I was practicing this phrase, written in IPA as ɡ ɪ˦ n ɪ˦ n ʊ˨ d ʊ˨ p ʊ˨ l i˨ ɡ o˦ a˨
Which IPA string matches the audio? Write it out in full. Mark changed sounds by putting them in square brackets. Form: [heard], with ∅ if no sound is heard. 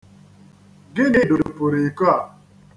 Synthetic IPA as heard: ɡ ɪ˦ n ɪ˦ [d] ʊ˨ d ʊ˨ p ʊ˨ [ɾ] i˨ [k] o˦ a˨